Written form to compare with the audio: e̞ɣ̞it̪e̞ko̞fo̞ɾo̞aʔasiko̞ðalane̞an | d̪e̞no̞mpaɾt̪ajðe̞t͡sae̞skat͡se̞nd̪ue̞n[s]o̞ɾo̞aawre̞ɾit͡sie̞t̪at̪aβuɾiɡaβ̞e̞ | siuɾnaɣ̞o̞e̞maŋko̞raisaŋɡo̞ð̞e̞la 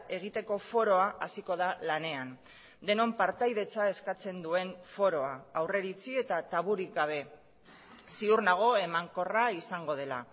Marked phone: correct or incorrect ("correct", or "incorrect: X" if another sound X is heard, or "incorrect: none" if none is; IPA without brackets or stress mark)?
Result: incorrect: f